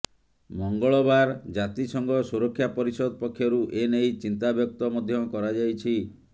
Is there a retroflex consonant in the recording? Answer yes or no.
yes